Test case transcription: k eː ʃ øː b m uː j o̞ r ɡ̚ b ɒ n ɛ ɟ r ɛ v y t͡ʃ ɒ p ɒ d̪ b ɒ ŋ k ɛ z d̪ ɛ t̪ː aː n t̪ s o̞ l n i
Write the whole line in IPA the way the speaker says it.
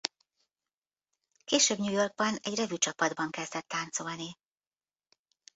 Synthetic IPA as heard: k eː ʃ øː b ɲ uː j o̞ r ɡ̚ b ɒ n ɛ ɟ r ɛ v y t͡ʃ ɒ p ɒ d̪ b ɒ ŋ k ɛ z d̪ ɛ t̪ː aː n t̪ s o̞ l n i